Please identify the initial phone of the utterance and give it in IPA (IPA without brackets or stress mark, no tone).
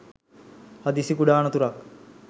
h